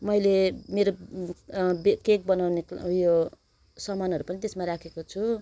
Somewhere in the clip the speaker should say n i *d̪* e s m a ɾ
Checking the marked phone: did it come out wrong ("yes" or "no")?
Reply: yes